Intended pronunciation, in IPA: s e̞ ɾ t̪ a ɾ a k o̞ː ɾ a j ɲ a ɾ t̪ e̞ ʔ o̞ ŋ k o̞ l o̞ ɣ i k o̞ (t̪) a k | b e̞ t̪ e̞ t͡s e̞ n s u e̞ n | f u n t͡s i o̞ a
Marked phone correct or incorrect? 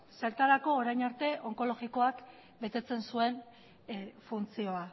incorrect